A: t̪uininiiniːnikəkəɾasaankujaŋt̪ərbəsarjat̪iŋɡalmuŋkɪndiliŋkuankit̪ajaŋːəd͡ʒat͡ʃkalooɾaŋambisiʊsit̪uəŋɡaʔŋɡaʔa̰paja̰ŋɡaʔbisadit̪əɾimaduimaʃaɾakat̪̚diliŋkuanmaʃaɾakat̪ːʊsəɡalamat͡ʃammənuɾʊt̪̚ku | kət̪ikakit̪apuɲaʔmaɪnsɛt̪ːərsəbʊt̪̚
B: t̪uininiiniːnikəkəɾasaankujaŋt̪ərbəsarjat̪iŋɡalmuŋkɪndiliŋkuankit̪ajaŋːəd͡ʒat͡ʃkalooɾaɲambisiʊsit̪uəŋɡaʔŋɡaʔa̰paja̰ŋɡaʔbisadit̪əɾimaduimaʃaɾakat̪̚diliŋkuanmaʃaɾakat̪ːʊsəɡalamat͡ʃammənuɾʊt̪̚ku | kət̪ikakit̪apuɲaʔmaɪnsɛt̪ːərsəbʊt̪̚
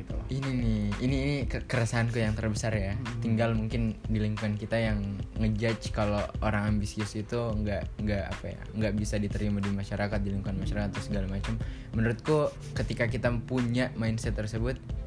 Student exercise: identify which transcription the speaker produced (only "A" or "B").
A